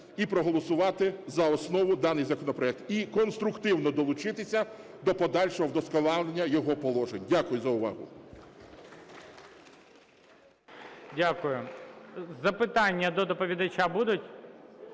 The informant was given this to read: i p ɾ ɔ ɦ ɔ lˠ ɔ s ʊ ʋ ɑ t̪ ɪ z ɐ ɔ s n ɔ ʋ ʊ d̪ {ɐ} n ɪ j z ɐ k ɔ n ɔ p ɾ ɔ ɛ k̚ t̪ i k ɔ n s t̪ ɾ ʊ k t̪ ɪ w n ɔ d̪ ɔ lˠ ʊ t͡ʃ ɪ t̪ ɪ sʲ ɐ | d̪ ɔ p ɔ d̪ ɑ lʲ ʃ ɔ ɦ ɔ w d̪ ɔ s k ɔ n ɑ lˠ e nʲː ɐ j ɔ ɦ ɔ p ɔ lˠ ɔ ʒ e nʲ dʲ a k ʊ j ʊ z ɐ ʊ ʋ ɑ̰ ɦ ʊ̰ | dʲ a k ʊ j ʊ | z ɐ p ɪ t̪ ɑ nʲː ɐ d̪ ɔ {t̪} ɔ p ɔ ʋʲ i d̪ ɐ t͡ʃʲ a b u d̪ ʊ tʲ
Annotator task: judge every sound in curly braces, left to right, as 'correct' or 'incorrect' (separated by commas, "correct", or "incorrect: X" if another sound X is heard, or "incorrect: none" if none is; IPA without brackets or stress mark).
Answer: incorrect: ɑ, incorrect: d̪